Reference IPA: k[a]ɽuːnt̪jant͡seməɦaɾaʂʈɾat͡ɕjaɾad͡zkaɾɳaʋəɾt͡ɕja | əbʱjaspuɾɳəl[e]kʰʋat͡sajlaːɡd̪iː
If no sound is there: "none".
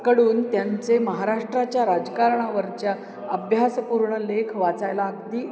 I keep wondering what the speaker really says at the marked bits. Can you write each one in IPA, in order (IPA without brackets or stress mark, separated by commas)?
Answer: ə, e